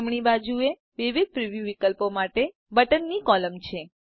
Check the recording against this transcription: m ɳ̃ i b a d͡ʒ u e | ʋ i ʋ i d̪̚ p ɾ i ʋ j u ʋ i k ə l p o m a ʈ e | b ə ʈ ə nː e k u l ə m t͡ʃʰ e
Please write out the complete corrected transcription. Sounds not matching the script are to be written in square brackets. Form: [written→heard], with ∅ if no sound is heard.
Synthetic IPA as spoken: m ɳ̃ i b a d͡ʒ u e | ʋ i ʋ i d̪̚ p ɾ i ʋ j u ʋ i k ə l p o m a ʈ e | b ə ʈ ə nː [e→i] k [u→ɔ] l ə m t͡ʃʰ e

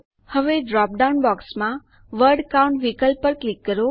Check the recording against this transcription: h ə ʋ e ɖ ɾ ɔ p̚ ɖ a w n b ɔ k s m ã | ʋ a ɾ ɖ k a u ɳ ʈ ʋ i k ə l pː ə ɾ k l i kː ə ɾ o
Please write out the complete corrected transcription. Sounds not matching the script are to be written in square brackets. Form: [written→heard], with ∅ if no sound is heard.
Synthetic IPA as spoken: h ə ʋ e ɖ ɾ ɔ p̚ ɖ a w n b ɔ k s m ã | ʋ [a→ə] ɾ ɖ k a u ɳ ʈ ʋ i k ə l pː ə ɾ k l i kː ə ɾ o

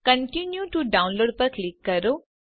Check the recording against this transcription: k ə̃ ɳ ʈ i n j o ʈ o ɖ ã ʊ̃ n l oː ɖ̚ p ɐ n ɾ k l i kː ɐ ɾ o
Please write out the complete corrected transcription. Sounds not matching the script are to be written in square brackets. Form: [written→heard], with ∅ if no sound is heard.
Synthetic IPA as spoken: k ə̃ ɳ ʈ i n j [o→u] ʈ [o→u] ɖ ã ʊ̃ n l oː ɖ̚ p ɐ [n→∅] ɾ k l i kː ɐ ɾ o

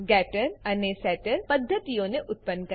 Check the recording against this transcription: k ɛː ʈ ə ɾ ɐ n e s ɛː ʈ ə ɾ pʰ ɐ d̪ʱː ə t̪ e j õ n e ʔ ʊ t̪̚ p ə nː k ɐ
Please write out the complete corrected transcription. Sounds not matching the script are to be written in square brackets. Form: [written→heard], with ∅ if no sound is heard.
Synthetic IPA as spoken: [k→ɡ] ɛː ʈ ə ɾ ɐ n e s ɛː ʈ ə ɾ [pʰ→p] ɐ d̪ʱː ə t̪ [e→i] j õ n e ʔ ʊ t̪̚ p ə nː k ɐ

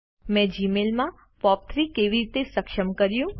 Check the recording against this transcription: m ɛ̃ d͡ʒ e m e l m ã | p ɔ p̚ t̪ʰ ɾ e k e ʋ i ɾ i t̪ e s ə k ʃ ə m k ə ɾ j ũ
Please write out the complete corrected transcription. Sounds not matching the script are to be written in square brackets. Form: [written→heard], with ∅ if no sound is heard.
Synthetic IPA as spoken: m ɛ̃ d͡ʒ [e→i] m e l m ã | p ɔ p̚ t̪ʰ ɾ [e→i] k e ʋ i ɾ i t̪ e s ə k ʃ ə m k ə ɾ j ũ

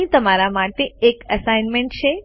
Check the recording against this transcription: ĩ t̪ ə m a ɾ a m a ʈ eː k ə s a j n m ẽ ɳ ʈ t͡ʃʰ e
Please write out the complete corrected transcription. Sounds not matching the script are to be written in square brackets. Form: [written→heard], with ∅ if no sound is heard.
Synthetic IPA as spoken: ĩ t̪ ə m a ɾ a m a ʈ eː k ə s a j n m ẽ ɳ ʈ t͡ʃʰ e

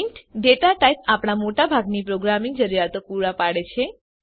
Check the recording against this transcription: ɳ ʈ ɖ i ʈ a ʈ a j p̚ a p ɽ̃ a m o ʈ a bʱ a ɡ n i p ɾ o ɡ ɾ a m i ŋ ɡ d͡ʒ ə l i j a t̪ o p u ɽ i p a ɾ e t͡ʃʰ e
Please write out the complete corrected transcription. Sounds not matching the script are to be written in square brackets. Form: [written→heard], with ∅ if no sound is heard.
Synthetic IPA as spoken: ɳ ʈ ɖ [i→e] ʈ a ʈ a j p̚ a p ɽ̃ a m o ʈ a bʱ a ɡ n i p ɾ o ɡ ɾ a m i ŋ ɡ d͡ʒ ə [l→ɾ] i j a t̪ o p u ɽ [i→a] p a [ɾ→ɽ] e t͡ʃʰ e

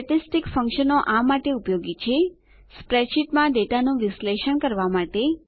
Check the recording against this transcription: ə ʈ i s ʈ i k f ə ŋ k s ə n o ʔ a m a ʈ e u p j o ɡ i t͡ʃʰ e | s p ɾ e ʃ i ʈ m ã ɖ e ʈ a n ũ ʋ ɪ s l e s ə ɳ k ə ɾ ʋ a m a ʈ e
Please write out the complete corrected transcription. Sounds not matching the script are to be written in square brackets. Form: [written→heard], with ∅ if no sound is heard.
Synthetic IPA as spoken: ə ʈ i s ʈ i k f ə ŋ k [s→ʃ] ə n o ʔ a m a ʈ e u p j o ɡ i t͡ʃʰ e | s p ɾ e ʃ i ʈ m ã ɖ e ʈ a n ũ ʋ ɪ s l e [s→ʃ] ə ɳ k ə ɾ ʋ a m a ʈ e

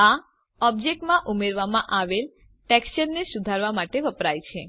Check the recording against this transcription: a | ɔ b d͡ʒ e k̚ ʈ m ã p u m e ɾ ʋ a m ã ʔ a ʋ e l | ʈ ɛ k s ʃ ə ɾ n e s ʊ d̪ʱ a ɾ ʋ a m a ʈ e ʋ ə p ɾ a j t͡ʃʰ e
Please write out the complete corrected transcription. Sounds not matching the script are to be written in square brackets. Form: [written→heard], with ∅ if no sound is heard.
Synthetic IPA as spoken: a | ɔ b d͡ʒ e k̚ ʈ m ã [p→ʔ] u m e ɾ ʋ a m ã ʔ a ʋ e l | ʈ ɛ k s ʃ ə ɾ n e s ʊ d̪ʱ a ɾ ʋ a m a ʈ e ʋ ə p ɾ a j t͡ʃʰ e

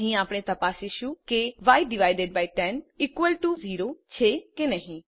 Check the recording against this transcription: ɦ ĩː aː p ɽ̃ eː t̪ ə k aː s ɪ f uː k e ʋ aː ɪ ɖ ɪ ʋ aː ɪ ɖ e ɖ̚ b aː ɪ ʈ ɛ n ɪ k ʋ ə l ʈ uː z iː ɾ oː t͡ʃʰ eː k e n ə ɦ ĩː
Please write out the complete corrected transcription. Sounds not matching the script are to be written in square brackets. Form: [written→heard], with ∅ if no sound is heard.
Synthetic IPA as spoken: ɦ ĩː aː p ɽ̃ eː t̪ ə [k→p] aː s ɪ [f→ʃ] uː k e ʋ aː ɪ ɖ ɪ ʋ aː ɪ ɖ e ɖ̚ b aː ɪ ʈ ɛ n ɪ k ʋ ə l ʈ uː z iː ɾ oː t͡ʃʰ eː k e n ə ɦ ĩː

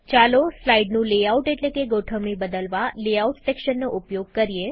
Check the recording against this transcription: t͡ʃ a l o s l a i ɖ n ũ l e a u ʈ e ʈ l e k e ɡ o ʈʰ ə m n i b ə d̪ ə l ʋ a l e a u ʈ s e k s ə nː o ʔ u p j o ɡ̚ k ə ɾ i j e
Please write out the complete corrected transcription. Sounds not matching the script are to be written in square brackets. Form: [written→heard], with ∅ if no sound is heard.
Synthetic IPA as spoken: t͡ʃ a l o s l a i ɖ n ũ l e a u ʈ e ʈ l e k e ɡ o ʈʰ ə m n i b ə d̪ ə l ʋ a l e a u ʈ s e k [s→ʃ] ə nː o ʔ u p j o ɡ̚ k ə ɾ i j e

